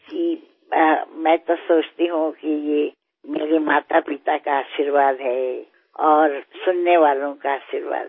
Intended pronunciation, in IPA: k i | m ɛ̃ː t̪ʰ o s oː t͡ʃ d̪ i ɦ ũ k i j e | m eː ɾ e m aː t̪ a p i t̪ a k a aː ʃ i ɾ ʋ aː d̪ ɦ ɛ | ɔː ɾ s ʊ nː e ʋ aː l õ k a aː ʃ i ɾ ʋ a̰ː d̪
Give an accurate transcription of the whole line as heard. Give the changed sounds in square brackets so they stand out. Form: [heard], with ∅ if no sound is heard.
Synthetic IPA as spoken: k i | m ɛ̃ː [t̪] o s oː t͡ʃ [t̪] i ɦ ũ k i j e | m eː ɾ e m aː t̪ a p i t̪ a k a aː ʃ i ɾ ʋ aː d̪ ɦ ɛ | ɔː ɾ s ʊ nː e ʋ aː l õ k a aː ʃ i ɾ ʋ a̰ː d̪